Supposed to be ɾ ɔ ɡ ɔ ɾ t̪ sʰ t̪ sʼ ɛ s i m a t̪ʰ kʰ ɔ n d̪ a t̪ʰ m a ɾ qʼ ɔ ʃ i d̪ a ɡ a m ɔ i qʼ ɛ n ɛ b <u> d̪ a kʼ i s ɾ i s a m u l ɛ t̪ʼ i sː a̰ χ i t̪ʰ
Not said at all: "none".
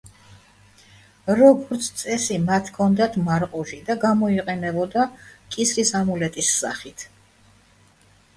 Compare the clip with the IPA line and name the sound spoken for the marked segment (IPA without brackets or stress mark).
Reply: ɔ